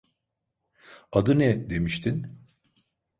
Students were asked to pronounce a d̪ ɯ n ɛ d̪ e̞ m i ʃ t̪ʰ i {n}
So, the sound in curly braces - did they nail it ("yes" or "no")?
yes